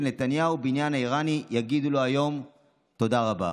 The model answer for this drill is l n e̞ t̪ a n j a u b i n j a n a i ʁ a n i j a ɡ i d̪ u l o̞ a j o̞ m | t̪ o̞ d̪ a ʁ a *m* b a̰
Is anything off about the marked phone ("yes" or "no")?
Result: yes